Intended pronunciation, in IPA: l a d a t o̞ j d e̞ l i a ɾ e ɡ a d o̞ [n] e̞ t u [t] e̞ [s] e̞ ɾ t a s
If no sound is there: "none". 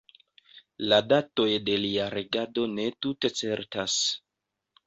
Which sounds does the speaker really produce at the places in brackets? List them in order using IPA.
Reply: n, t, t͡s

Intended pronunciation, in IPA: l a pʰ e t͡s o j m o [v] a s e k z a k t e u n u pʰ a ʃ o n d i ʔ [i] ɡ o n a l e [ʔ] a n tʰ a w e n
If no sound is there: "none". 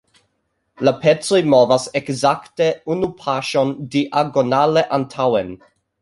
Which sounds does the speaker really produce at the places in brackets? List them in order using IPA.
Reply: v, a, ʔ

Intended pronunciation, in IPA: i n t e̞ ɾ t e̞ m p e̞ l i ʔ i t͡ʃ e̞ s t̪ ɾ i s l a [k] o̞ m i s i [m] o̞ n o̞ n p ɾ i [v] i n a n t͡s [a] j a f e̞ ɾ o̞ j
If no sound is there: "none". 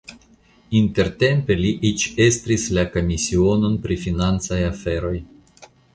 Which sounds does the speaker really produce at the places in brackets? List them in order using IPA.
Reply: k, none, f, a

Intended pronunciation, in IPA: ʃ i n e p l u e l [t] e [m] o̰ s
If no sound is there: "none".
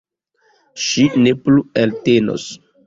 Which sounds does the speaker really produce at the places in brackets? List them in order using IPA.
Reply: t, n

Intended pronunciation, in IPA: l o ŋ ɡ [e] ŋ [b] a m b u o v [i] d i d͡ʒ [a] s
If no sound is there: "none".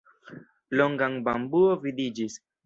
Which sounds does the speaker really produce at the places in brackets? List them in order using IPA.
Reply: a, b, i, i

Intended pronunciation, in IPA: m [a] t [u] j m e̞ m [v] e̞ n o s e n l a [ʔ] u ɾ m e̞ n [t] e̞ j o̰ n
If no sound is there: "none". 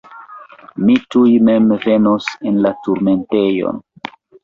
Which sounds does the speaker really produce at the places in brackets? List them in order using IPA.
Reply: i, u, v, t, t

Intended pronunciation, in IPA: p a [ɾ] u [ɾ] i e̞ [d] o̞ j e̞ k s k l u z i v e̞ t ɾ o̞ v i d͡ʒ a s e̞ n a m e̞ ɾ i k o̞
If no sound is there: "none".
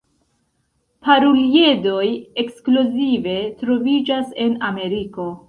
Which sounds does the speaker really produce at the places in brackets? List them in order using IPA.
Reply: ɾ, l, d

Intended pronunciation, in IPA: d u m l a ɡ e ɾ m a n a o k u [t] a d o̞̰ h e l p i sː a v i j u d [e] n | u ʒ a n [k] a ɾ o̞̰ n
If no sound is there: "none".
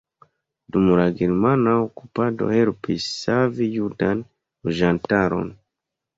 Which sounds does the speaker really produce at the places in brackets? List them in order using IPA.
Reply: p, a, t

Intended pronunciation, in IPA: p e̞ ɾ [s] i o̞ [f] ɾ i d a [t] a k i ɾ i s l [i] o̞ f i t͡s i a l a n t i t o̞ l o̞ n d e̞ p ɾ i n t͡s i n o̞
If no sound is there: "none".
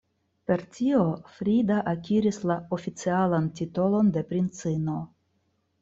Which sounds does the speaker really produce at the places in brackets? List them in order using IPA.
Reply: t, f, ʔ, a

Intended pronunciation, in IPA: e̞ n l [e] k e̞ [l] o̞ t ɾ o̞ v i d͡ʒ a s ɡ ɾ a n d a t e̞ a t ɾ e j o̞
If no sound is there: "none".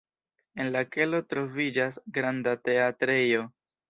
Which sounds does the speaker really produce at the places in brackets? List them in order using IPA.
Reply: a, l

